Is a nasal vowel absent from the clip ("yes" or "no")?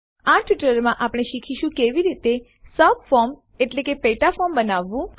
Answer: no